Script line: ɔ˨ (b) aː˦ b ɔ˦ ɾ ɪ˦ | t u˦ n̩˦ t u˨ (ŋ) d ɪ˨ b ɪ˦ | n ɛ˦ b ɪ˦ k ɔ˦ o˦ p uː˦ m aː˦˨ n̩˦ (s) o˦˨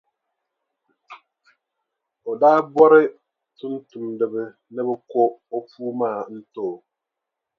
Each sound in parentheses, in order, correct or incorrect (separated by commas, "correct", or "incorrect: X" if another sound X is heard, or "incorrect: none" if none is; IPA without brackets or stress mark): incorrect: d, incorrect: m, incorrect: t